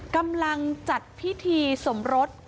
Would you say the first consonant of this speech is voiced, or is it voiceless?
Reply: voiceless